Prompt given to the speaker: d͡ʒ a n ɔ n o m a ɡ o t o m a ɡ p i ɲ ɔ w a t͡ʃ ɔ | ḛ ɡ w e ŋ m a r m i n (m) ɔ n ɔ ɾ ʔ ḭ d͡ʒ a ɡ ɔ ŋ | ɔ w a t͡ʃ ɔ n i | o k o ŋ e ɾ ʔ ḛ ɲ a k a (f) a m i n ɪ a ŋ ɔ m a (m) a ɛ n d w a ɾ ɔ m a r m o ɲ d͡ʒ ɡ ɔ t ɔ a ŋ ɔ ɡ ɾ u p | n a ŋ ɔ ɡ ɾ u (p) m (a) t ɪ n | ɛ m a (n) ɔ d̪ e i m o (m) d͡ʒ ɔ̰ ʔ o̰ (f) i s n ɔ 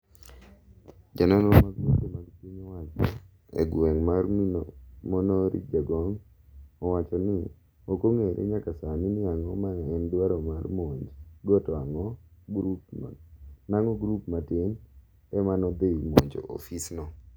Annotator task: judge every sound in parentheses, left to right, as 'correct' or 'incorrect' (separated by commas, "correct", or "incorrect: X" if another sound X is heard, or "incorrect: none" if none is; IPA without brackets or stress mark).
correct, incorrect: s, incorrect: ŋ, correct, correct, correct, incorrect: ɲ, correct